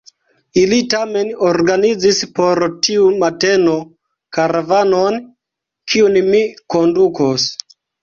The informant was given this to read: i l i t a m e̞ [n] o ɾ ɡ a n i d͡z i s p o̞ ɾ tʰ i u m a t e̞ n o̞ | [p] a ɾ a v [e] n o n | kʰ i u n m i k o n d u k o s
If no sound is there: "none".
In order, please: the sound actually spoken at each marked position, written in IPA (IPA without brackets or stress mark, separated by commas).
n, k, a